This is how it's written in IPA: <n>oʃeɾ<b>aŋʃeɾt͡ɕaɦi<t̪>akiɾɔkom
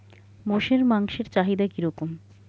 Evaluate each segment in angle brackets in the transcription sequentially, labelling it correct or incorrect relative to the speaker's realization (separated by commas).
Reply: incorrect, incorrect, incorrect